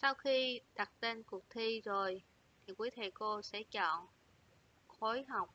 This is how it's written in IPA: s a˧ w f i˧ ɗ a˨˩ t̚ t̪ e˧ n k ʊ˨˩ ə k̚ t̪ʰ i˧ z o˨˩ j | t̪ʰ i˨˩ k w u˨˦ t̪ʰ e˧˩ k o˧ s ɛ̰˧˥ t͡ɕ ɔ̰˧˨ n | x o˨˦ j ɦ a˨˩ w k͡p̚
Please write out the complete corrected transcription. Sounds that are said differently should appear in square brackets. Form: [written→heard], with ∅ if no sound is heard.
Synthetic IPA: s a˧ w [f→x] i˧ ɗ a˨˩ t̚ t̪ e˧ n k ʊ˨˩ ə k̚ t̪ʰ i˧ z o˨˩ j | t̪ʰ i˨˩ k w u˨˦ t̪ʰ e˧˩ k o˧ s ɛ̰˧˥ t͡ɕ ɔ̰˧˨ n | x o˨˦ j ɦ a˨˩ w k͡p̚